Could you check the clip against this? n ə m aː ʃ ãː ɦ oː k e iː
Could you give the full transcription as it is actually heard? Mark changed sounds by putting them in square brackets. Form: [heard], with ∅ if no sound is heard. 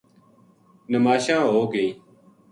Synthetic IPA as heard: n ə m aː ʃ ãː ɦ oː [ɡ] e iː